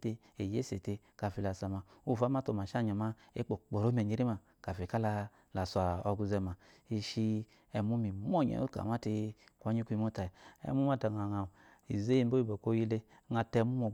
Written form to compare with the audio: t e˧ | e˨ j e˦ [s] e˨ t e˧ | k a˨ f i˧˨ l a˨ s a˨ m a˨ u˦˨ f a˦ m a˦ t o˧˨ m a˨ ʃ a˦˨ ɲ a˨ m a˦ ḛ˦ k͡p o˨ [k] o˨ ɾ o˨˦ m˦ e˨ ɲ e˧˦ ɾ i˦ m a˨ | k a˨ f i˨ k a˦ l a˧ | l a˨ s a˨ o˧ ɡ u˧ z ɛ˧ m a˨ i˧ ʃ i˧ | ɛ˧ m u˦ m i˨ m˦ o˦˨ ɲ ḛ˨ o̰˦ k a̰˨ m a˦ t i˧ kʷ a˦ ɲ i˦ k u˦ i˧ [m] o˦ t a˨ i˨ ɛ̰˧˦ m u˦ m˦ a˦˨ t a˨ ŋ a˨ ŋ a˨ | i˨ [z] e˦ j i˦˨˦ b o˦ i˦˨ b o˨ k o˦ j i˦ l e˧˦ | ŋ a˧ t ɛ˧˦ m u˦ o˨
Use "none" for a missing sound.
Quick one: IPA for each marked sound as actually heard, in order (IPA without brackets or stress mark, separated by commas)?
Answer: s, k͡p, m, z